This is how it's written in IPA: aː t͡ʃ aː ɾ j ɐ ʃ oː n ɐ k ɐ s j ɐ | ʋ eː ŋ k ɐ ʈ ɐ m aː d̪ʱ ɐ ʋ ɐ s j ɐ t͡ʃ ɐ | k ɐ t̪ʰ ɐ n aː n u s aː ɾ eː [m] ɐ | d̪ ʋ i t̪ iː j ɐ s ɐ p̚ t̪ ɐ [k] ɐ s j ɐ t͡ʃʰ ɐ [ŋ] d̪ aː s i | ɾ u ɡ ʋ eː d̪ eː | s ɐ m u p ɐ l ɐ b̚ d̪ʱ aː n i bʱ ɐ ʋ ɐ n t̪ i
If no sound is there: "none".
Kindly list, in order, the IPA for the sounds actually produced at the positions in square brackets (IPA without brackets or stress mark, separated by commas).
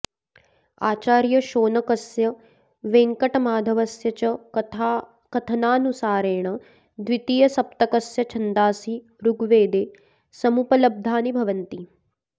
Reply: ɳ, k, n